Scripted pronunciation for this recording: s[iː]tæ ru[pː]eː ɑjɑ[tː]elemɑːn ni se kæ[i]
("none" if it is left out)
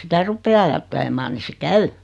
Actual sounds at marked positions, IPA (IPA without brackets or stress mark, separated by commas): i, pː, tː, y